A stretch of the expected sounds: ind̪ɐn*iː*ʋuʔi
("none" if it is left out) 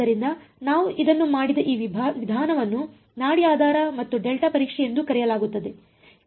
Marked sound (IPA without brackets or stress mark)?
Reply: aː